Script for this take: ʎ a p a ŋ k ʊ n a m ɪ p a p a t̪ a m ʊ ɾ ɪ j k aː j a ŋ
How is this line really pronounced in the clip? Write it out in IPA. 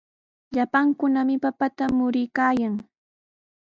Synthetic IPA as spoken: ʎ a p a ŋ k ʊ n a m ɪ p a p a t̪ a m ʊ ɾ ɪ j k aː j a ŋ